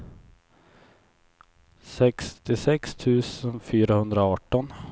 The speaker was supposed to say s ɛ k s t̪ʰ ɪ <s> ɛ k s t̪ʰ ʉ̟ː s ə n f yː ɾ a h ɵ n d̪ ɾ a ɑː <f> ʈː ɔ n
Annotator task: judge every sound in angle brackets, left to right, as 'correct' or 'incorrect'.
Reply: correct, incorrect

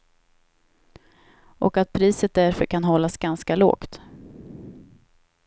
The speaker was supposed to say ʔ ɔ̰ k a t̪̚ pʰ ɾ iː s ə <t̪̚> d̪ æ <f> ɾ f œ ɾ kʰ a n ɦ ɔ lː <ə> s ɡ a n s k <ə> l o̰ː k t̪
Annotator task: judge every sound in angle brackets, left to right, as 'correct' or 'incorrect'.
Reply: correct, incorrect, incorrect, incorrect

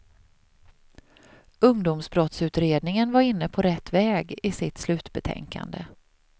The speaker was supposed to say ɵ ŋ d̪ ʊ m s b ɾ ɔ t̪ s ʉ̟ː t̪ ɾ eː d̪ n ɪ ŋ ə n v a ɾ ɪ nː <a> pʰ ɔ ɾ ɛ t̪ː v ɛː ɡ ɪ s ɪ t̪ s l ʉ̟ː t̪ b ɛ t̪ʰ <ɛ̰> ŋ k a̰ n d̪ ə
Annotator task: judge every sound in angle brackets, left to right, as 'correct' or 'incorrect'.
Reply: incorrect, correct

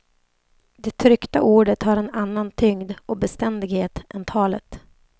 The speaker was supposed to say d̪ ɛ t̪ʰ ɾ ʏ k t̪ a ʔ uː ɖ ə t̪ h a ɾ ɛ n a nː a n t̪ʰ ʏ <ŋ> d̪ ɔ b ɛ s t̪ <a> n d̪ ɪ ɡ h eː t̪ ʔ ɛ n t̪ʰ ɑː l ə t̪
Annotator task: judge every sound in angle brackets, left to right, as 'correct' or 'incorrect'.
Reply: correct, incorrect

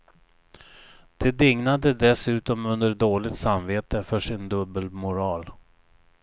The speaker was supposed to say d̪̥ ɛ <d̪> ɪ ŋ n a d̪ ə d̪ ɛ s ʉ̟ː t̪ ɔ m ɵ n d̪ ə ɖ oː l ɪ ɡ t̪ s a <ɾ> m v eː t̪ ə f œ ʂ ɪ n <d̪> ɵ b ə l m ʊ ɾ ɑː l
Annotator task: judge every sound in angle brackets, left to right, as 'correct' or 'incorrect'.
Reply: correct, incorrect, correct

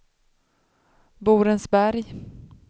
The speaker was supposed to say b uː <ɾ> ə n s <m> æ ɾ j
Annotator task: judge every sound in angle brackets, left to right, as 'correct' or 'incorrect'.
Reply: correct, incorrect

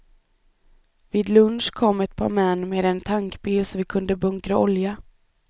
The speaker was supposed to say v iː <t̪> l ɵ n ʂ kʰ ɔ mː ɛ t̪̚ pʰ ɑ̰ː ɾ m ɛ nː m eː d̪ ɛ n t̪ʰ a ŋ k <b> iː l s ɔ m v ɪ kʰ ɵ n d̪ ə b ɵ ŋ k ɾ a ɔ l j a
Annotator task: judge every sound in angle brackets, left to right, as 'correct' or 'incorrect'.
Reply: incorrect, correct

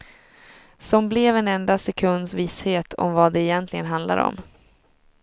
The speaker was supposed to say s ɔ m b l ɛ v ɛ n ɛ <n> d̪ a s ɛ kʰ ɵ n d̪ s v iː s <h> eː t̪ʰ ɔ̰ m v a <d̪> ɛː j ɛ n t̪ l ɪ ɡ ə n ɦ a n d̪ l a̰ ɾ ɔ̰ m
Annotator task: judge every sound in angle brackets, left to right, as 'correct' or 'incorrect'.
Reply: correct, correct, correct

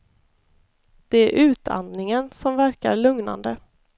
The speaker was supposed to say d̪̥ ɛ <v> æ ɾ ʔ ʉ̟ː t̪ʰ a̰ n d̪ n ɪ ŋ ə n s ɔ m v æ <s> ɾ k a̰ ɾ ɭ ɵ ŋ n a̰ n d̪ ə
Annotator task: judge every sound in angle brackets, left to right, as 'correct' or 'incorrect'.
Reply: incorrect, incorrect

